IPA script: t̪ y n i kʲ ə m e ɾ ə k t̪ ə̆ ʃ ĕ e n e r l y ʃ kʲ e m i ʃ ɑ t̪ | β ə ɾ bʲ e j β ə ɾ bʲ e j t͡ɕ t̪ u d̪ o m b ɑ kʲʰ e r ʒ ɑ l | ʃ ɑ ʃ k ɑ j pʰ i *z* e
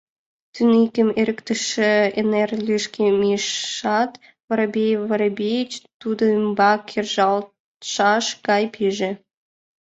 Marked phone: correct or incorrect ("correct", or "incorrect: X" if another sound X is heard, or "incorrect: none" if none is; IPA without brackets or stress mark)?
incorrect: ʒ